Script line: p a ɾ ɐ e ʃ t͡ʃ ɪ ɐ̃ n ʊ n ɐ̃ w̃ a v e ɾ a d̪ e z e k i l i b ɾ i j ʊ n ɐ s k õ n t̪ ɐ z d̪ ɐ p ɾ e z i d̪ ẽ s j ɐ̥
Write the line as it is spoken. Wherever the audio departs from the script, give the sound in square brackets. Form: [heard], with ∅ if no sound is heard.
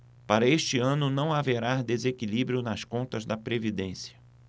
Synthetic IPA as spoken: p a ɾ ɐ e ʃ t͡ʃ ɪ ɐ̃ n ʊ n ɐ̃ w̃ a v e ɾ a d̪ e z e k i l i b ɾ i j ʊ n ɐ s k õ n t̪ ɐ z d̪ ɐ p ɾ e [v] i d̪ ẽ s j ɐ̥